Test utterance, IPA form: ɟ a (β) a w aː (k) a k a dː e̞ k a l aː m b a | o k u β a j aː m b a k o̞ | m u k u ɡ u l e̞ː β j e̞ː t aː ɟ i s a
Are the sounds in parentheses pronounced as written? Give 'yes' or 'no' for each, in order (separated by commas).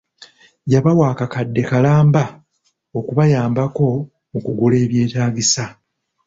yes, yes